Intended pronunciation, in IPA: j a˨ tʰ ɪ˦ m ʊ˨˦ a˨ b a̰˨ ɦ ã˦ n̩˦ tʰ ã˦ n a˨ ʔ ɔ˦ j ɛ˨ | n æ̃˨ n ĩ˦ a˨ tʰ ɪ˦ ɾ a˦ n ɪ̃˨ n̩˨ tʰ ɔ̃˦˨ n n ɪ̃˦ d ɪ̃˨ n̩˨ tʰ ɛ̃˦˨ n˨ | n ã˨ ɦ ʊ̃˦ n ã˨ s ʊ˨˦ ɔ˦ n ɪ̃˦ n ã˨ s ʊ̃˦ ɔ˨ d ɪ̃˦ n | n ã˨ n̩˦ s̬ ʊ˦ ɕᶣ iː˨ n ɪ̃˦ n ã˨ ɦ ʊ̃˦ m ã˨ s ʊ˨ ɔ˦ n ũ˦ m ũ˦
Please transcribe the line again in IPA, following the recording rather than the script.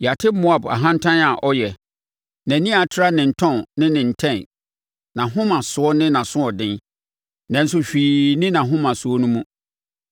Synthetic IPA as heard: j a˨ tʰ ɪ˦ m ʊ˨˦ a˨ b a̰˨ ɦ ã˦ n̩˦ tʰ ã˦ n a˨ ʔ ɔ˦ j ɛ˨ | n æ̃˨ n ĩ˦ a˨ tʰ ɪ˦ ɾ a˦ n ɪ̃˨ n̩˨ tʰ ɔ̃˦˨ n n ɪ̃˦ n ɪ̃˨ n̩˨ tʰ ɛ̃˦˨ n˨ | n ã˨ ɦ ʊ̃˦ m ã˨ s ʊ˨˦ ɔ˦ n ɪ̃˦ n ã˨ s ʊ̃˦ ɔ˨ d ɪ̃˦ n | n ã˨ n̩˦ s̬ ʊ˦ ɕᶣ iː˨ n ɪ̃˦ n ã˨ ɦ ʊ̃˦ m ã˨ s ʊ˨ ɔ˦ n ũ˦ m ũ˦

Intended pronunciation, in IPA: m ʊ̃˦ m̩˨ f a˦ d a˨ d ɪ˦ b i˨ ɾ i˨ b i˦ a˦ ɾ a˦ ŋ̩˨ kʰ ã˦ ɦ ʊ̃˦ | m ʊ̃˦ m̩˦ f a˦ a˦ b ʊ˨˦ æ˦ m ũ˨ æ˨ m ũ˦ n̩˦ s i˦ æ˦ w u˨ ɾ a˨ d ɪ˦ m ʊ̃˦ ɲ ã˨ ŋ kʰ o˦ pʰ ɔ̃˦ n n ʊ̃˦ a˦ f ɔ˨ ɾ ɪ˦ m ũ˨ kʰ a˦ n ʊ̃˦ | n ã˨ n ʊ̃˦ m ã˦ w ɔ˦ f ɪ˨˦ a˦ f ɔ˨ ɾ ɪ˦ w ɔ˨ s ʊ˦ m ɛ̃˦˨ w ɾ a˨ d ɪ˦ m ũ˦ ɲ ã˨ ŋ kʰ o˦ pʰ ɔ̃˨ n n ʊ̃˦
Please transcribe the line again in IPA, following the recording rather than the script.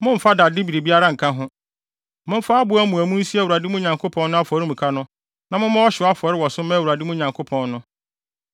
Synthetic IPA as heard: m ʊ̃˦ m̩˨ f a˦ d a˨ d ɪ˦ b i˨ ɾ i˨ b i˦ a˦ ɾ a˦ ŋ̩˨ kʰ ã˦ ɦ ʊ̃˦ | m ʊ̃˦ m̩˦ f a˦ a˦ b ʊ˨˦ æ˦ m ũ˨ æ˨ m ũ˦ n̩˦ s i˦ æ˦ w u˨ ɾ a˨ d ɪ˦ m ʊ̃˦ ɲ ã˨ ŋ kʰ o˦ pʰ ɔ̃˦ n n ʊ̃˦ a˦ f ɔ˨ ɾ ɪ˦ m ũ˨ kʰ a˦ n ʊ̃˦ | n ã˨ m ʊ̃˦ m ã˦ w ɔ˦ ɕ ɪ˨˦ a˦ f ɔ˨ ɾ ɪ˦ w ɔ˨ s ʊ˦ m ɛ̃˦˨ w ɾ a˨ d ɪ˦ m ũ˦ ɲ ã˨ ŋ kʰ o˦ pʰ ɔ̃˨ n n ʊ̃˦

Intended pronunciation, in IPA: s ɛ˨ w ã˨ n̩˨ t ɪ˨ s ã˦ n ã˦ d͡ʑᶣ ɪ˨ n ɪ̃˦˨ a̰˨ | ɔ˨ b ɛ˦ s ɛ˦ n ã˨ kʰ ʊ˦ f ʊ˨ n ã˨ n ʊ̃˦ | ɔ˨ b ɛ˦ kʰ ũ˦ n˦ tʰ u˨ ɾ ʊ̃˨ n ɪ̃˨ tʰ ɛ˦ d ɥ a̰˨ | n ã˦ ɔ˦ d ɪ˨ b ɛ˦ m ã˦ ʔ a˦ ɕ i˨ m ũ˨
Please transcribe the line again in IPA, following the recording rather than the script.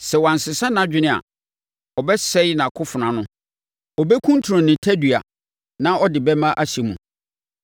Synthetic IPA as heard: s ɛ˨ w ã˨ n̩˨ s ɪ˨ s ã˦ n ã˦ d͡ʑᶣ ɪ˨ n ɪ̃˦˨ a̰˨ | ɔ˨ b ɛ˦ s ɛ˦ n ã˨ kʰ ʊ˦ f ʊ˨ n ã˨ n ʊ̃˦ | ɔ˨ b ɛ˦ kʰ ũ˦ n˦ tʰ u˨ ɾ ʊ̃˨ n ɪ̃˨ tʰ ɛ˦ d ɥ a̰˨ | n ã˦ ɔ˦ d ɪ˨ b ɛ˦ m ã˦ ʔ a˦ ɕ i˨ m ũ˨

